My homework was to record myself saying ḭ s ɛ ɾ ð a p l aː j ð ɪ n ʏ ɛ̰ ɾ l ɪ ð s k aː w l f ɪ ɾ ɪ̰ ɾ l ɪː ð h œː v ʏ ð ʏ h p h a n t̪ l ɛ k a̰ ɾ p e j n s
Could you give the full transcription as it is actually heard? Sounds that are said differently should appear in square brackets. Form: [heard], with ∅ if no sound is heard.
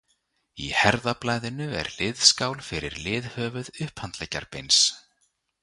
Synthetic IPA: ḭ [h] ɛ ɾ ð a p l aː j ð ɪ n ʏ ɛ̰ ɾ l ɪ ð s k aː w l f ɪ ɾ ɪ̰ ɾ l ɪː ð h œː v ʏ ð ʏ h p h a n t̪ l ɛ [c] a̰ ɾ p e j n s